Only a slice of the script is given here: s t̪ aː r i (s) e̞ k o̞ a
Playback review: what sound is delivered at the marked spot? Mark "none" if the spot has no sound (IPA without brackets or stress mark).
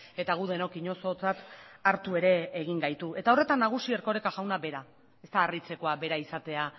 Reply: t͡s